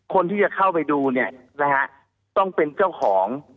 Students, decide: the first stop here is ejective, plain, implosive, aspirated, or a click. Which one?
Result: aspirated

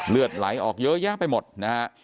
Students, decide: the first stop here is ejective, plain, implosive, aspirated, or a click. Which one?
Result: plain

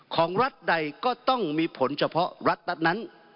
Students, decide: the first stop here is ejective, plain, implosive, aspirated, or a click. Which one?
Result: aspirated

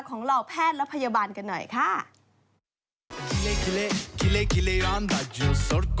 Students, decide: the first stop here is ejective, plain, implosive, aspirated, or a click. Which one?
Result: aspirated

